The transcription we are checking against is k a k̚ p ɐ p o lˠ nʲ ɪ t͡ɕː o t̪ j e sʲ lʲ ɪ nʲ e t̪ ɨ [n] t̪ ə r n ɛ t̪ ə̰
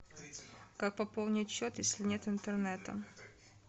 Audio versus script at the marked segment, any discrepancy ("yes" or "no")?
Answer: no